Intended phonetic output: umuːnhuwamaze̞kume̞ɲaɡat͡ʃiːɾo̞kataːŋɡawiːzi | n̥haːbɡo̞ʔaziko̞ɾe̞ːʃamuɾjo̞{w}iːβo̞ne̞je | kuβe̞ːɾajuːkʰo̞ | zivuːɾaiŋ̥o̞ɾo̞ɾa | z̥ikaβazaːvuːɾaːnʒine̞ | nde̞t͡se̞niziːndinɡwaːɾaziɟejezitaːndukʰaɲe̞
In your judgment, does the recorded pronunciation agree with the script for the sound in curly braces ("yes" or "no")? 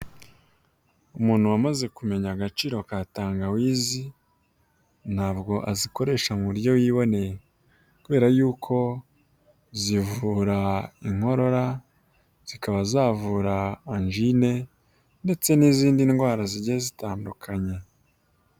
yes